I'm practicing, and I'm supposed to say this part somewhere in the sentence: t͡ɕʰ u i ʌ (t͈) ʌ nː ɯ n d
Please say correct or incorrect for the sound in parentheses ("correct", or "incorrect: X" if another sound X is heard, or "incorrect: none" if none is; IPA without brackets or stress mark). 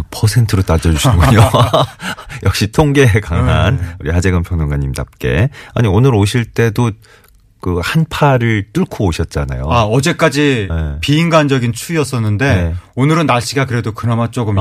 incorrect: s͈